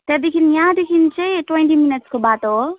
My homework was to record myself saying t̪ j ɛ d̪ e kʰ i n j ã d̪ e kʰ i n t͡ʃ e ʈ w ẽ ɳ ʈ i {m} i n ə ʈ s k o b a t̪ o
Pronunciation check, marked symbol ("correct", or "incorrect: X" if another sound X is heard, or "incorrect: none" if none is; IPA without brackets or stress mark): correct